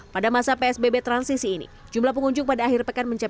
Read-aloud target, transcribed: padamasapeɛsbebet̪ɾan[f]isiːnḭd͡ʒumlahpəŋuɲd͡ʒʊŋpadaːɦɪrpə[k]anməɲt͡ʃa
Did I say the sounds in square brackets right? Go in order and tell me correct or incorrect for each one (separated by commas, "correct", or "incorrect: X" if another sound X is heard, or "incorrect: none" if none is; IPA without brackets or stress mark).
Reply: incorrect: s, correct